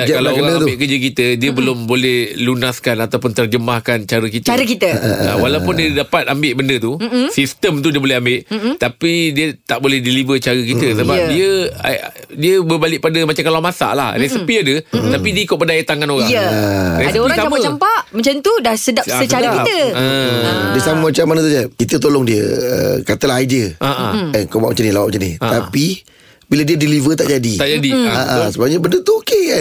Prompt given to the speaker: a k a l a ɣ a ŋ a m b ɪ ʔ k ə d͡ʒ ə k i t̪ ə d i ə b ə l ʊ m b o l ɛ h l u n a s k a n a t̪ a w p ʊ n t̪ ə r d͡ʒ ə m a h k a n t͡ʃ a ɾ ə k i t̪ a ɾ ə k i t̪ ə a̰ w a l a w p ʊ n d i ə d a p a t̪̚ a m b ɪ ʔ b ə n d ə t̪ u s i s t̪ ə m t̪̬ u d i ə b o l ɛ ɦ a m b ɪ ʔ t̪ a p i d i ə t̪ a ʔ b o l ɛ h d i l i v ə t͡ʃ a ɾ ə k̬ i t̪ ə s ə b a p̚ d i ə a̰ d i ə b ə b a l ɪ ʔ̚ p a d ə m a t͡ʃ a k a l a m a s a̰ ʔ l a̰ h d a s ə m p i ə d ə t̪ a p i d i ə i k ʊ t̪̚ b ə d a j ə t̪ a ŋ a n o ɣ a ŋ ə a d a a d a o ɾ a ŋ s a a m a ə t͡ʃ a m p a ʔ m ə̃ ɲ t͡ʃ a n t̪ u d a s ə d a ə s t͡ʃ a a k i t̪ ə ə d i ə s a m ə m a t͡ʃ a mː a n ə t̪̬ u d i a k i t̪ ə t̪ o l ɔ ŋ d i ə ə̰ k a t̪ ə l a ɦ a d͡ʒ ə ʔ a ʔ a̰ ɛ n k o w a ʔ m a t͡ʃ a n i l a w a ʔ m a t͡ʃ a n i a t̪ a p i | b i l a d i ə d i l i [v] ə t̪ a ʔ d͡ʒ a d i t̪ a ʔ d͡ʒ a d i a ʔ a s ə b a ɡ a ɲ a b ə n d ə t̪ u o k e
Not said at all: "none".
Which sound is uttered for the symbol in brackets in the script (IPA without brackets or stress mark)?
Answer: v